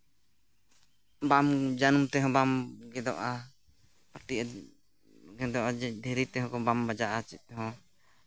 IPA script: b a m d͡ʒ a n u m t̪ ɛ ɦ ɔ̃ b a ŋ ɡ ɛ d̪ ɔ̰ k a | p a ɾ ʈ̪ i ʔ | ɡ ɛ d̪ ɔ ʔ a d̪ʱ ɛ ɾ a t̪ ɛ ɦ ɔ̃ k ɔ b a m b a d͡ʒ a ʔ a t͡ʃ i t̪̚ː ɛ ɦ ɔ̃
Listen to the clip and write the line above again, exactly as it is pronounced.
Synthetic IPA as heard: b a m d͡ʒ a n u m t̪ ɛ ɦ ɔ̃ b a m ɡ ɛ d̪ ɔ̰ ʔ a | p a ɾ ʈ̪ i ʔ | ɡ ɛ d̪ ɔ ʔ a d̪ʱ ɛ ɾ i t̪ ɛ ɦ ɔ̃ k ɔ b a m b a d͡ʒ a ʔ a t͡ʃ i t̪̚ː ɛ ɦ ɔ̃